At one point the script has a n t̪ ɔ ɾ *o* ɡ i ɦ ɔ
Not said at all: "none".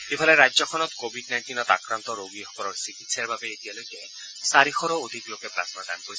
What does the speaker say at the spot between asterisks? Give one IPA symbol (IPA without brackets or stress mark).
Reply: o